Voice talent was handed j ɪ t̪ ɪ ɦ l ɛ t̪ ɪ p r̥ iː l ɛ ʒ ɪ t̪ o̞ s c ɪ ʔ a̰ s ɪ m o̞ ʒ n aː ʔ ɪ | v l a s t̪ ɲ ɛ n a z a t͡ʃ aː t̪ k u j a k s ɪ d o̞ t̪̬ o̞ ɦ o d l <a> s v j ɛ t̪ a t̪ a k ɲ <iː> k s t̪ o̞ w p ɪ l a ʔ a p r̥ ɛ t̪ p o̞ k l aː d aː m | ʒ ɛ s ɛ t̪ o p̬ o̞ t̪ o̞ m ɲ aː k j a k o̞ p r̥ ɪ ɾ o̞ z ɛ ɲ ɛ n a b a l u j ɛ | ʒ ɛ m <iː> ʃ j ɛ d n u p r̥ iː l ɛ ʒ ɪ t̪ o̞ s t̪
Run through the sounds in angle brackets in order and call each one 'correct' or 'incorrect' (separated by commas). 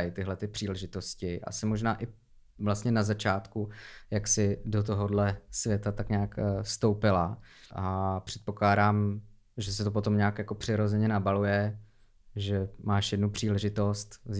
incorrect, incorrect, incorrect